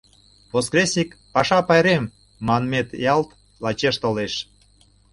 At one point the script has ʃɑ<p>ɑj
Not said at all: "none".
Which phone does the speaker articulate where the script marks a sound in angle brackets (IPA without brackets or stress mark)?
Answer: p